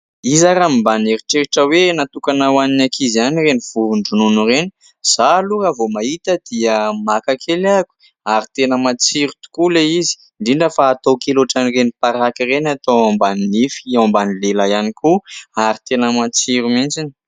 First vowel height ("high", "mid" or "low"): high